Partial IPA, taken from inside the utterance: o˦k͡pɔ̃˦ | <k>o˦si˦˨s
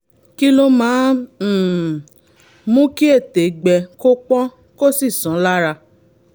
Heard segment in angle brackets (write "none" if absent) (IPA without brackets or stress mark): k